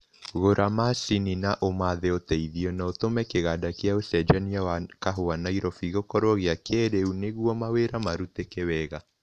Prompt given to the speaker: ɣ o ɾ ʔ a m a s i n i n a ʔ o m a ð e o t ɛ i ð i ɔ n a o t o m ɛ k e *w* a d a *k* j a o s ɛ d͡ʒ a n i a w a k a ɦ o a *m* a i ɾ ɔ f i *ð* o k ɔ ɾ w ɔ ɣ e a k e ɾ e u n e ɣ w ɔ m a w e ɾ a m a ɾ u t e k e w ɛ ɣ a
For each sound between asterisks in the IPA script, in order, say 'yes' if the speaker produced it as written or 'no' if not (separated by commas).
no, yes, no, no